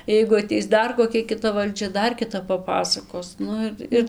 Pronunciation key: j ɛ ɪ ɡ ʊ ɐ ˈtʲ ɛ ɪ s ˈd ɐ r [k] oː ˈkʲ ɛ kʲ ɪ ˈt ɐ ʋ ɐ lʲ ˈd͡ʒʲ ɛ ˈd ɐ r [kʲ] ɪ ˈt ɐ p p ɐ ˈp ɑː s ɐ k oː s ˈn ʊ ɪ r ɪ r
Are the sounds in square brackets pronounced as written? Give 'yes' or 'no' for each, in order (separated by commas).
yes, yes